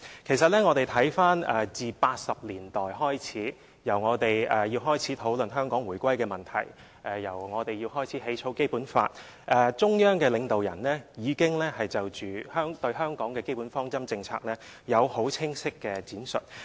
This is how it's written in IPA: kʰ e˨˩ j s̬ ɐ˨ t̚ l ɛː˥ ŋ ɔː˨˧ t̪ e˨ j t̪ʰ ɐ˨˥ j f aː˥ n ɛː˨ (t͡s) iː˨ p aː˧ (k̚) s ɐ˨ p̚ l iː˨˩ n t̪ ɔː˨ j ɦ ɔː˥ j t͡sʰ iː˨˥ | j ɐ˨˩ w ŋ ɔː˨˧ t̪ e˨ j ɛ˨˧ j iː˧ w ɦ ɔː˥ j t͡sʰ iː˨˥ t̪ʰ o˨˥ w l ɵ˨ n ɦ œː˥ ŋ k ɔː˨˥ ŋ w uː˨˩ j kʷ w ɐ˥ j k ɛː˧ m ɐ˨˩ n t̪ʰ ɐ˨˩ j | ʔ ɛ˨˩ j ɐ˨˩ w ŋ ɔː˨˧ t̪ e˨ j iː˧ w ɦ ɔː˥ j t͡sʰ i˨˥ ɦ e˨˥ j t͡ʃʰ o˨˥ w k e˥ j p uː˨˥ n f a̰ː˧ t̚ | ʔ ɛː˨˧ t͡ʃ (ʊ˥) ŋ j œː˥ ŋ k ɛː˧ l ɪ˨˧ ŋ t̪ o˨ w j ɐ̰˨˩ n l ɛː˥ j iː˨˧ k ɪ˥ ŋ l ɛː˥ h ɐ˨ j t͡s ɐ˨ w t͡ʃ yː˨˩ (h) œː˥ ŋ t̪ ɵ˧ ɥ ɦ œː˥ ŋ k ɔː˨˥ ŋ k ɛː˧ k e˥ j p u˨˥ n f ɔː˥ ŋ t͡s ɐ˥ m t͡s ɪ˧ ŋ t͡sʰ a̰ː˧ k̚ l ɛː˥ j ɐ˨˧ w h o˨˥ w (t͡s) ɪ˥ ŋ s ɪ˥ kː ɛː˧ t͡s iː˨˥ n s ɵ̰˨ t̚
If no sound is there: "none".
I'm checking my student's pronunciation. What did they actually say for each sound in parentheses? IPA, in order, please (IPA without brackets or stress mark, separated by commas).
t͡s, t̚, ʊ˥, h, t͡sʰ